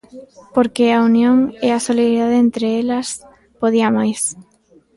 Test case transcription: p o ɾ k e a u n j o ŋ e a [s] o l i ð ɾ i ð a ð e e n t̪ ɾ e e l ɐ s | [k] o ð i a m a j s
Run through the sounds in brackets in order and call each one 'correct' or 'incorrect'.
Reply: correct, incorrect

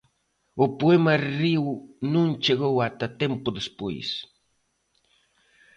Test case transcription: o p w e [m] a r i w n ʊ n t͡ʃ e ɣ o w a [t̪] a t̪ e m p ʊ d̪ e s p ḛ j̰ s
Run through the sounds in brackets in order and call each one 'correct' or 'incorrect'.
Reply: correct, correct

